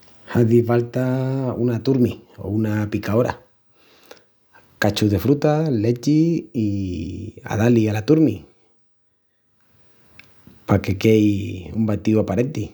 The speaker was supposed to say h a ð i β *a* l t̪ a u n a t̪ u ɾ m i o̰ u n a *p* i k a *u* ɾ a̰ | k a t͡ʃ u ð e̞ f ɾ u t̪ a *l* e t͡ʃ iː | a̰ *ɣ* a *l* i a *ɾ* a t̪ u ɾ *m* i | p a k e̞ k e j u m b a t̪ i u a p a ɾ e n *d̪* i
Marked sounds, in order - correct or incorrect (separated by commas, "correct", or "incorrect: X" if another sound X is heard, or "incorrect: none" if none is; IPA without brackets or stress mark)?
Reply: correct, correct, incorrect: o, correct, incorrect: ð, correct, incorrect: l, correct, incorrect: t̪